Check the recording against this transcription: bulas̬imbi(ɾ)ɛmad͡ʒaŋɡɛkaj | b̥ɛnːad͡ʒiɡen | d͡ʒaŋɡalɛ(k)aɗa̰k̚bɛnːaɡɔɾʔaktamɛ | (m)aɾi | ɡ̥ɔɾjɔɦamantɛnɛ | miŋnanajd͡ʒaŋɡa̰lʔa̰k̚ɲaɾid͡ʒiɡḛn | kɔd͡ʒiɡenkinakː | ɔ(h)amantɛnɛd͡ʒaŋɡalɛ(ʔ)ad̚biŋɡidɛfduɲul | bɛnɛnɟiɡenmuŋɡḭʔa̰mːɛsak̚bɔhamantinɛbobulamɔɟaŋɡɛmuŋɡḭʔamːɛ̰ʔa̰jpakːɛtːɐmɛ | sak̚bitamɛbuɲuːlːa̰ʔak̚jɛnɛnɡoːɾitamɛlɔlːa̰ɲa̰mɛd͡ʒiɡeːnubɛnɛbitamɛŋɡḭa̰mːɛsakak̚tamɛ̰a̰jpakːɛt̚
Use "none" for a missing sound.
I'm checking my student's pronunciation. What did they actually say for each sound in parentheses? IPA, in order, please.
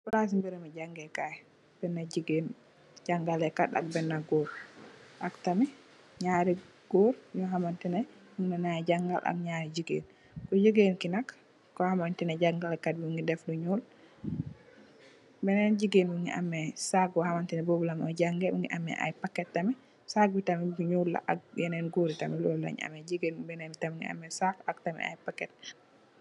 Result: ɾ, k, ɲ, h, k

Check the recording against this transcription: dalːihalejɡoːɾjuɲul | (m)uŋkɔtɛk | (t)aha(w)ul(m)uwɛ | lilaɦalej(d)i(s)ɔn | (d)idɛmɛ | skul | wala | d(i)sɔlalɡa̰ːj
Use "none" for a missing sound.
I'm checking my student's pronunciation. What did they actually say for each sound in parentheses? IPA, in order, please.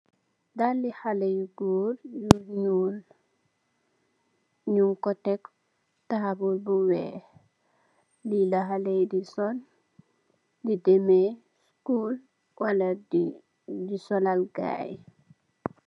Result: ɲ, t, b, b, d, s, d, i

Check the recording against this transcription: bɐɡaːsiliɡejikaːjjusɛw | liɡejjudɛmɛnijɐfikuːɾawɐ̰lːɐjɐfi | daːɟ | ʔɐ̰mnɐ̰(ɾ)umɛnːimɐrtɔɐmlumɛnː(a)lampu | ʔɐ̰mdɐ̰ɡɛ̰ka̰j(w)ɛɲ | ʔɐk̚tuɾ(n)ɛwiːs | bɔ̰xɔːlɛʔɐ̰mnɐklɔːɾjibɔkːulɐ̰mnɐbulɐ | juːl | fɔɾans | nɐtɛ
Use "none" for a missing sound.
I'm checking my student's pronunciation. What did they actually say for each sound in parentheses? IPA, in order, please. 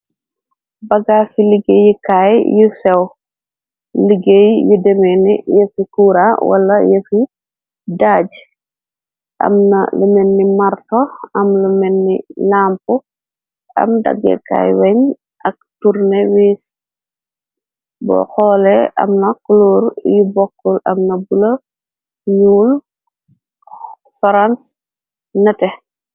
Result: l, i, w, n

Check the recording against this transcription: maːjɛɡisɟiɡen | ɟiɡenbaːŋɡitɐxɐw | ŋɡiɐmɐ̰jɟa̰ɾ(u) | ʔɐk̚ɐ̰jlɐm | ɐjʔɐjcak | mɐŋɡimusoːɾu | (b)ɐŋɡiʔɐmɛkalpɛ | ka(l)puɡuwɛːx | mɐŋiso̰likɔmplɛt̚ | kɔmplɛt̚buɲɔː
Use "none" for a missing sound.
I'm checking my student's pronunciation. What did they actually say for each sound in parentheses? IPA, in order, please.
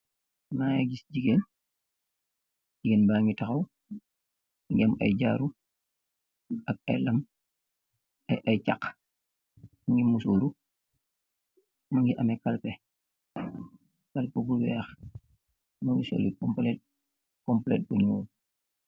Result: u, m, l

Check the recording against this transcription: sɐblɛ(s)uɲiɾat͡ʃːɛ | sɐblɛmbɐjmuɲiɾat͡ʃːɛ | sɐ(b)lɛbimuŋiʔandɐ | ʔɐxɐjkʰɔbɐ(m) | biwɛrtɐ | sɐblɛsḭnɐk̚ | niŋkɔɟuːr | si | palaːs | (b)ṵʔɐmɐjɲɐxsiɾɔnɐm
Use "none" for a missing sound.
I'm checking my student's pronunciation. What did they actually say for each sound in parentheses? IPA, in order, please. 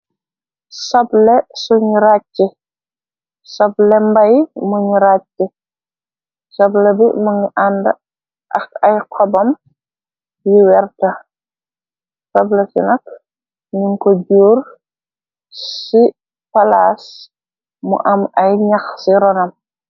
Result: s, b, m, m

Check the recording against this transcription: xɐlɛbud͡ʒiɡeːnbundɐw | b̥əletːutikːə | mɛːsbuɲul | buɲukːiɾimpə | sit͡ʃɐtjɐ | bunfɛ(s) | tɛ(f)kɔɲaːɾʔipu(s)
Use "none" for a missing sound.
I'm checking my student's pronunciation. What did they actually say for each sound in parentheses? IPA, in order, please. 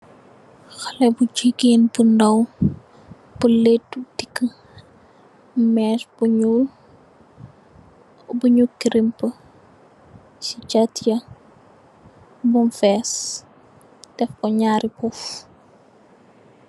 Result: s, f, f

